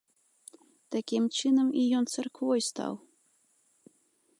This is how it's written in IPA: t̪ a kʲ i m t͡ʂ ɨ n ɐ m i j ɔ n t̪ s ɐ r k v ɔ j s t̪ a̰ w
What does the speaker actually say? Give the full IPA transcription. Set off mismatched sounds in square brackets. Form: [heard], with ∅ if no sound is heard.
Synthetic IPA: t̪ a kʲ i m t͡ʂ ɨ n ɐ m i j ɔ n t̪ s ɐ r k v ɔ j s t̪ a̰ w